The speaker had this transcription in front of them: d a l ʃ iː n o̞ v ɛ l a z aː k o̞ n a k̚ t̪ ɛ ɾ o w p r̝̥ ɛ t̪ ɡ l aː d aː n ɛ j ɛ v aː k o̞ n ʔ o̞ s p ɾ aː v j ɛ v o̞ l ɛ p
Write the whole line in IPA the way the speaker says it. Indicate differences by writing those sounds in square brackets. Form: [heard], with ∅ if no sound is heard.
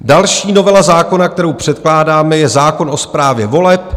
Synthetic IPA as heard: d a l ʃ iː n o̞ v ɛ l a z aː k o̞ n a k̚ t̪ ɛ ɾ o w p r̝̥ ɛ t̪ [k] l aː d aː [m] ɛ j ɛ [z] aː k o̞ n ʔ o̞ s p ɾ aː v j ɛ v o̞ l ɛ p